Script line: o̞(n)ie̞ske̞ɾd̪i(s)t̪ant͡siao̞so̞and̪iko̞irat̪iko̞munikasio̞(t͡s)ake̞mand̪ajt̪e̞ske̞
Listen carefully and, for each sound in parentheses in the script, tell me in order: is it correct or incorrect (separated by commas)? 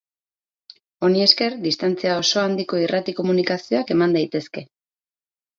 correct, correct, incorrect